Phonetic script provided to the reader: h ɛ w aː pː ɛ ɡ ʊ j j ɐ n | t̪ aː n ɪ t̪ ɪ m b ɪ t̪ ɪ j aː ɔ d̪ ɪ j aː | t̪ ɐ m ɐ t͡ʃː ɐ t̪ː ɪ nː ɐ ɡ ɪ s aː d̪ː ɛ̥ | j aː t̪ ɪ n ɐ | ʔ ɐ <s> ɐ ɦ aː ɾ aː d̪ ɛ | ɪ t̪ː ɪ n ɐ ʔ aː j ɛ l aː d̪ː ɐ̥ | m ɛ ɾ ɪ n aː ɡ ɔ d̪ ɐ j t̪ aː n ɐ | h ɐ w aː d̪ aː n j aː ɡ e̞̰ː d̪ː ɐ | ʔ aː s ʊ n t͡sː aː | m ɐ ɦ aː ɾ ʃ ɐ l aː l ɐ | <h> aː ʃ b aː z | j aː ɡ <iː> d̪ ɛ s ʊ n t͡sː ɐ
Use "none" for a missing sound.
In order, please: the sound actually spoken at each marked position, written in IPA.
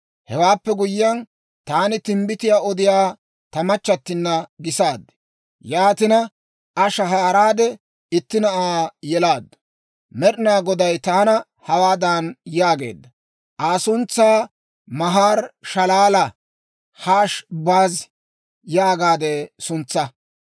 ʃ, h, aː

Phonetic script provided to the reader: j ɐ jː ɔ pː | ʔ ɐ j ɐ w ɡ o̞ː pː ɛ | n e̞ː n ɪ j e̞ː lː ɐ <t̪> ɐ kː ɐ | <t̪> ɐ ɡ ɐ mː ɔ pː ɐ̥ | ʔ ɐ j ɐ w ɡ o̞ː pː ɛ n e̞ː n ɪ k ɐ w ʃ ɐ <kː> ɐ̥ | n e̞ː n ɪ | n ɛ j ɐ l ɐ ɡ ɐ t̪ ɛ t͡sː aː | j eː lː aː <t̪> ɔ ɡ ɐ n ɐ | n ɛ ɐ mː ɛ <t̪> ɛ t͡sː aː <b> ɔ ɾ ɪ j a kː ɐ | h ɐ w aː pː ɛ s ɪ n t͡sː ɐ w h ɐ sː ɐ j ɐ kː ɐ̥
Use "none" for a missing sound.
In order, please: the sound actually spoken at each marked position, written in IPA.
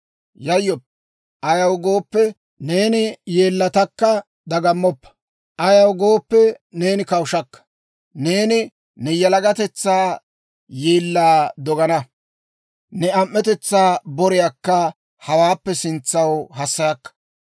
t̪, d̪, kː, d̪, t̪, b

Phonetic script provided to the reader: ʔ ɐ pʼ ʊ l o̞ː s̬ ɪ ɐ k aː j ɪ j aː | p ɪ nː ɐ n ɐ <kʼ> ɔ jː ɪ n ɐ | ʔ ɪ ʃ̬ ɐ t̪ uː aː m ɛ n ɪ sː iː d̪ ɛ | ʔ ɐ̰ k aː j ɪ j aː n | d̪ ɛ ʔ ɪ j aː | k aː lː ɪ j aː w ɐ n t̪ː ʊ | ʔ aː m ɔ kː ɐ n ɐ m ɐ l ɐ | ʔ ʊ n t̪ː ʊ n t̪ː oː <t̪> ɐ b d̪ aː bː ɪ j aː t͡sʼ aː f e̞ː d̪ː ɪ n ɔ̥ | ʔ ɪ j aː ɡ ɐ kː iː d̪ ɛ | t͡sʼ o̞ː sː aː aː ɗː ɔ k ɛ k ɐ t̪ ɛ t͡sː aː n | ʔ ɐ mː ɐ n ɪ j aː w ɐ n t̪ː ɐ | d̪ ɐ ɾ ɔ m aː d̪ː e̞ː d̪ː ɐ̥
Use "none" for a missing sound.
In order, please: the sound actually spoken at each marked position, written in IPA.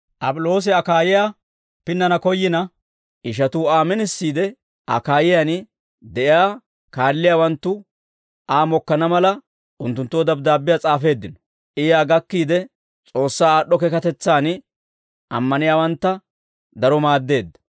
k, d̪

